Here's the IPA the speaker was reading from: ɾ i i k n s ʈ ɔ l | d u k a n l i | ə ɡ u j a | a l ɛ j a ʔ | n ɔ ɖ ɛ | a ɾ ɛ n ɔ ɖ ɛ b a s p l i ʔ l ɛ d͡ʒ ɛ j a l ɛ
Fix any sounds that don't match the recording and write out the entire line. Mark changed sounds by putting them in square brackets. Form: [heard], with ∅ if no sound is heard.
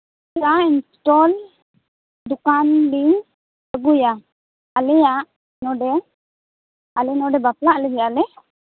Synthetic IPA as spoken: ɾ [a] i [∅] n s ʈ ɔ l | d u k a n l i | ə ɡ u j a | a l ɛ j a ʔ | n ɔ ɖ ɛ | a [l] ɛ n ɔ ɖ ɛ b a [∅] p l [a] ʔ l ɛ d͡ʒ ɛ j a l ɛ